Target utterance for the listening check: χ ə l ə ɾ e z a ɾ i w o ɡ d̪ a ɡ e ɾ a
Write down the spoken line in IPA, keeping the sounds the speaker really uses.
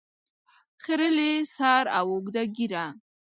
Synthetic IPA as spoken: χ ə ɾ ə l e s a ɾ a w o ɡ d̪ a ɡ i ɾ a